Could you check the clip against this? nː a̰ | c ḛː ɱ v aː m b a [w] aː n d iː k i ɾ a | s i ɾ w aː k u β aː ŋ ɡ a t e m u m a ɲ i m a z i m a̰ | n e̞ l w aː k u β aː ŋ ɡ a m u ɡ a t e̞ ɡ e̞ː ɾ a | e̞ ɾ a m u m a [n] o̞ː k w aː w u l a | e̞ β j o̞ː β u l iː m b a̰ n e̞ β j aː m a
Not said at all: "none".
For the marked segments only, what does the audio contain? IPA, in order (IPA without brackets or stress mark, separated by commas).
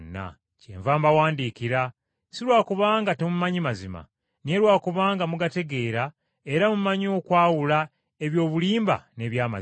w, ɲ